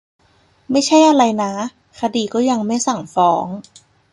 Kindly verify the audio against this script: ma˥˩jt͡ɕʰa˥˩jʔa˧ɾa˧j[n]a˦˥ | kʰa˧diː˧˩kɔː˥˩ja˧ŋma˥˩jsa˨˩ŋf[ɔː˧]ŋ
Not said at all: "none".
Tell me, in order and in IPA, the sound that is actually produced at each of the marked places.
n, ɔː˦˥

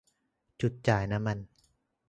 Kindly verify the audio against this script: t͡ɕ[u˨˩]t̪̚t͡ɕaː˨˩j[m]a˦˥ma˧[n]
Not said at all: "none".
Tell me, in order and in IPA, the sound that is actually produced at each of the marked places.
u˨˩, n, n

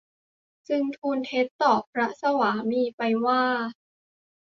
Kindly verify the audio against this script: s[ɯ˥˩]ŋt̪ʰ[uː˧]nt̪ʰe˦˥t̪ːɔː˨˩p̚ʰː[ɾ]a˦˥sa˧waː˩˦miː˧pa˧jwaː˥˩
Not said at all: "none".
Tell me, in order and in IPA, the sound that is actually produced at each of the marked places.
ɯ˧, uː˧, ɾ

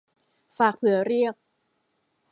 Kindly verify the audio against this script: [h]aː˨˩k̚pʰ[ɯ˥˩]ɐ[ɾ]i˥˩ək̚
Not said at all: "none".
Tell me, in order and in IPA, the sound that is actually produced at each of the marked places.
f, ɯ˨˩˦, ɾ

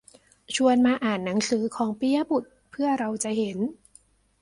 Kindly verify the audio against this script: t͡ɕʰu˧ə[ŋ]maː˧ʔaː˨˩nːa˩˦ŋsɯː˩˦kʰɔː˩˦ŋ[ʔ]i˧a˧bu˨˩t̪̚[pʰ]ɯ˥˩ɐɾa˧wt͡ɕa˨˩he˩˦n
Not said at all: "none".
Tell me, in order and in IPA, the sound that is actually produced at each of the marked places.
n, p, pʰ

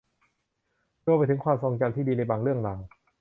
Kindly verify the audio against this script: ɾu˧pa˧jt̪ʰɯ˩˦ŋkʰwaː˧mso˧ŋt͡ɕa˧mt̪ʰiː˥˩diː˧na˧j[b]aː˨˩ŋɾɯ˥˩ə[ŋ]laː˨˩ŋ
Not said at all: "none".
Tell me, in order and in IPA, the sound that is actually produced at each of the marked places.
b, ŋ

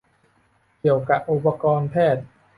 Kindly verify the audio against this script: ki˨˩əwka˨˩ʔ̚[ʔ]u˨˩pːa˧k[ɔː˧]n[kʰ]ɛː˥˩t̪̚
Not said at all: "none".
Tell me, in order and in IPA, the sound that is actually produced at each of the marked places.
ʔ, ɔː˧, pʰ

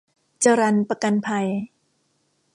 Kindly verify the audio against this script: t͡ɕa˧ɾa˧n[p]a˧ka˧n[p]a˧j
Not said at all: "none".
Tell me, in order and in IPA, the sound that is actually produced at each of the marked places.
p, pʰ

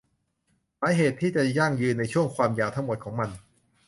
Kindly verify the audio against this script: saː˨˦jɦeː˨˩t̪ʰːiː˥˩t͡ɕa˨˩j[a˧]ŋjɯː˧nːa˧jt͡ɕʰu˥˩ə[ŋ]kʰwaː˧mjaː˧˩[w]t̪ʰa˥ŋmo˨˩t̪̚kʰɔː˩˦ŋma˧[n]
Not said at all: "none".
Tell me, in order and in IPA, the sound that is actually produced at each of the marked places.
a˥˩, ŋ, w, n

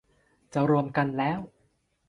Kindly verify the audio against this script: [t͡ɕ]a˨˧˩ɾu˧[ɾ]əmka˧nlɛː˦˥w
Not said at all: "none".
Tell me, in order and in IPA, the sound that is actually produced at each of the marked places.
t͡ɕ, none

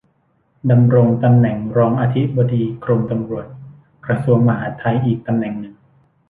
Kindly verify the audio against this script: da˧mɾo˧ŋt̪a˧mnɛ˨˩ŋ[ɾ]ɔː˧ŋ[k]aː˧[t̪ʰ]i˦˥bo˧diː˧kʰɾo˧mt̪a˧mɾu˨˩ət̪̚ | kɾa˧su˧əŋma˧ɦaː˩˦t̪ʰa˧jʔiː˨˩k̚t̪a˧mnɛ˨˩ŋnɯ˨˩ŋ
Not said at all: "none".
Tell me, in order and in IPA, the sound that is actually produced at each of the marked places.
ɾ, ʔ, t̪ʰ

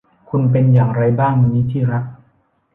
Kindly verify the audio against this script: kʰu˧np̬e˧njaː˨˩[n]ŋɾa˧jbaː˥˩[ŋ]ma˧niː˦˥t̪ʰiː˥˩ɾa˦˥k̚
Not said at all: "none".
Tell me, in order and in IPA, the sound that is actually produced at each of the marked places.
none, ŋ

